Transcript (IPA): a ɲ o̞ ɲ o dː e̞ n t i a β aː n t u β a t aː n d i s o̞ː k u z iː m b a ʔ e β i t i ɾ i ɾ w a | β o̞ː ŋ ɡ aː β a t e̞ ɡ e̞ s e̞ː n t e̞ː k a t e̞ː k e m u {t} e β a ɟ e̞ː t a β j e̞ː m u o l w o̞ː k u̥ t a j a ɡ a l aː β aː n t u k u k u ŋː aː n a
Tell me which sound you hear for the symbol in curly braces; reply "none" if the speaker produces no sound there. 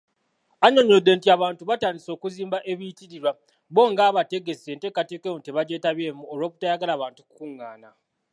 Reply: t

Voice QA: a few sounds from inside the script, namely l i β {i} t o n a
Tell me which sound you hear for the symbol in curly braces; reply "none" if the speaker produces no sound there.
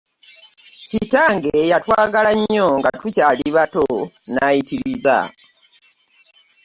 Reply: a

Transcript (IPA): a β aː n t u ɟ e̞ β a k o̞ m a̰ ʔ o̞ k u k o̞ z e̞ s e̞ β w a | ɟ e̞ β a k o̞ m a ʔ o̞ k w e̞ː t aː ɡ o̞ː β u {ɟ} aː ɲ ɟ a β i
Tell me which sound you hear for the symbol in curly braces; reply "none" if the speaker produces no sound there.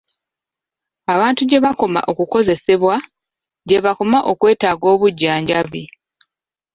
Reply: ɟː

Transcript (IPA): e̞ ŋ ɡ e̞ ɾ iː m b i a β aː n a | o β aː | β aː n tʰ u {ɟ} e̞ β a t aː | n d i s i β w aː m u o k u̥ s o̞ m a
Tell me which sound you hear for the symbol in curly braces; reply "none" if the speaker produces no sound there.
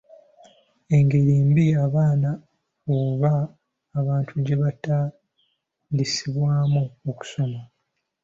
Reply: ɟ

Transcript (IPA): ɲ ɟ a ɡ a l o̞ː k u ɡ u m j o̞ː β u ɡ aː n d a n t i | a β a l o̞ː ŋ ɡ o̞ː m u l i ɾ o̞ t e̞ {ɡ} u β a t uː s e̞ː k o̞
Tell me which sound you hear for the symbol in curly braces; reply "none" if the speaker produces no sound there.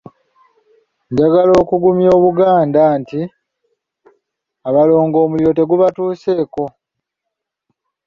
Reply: ɡ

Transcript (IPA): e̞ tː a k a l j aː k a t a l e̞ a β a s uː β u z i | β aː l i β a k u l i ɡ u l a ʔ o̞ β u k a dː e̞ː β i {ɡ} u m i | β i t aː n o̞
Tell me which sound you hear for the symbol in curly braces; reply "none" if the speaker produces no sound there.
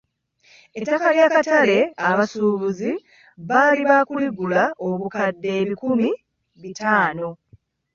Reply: k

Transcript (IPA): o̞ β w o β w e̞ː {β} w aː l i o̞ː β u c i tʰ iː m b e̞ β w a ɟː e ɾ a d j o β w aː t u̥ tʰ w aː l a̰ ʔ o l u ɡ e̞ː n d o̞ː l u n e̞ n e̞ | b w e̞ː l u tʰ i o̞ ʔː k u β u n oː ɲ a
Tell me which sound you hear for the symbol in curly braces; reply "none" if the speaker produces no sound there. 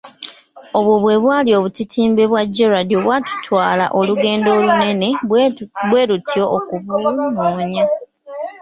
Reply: β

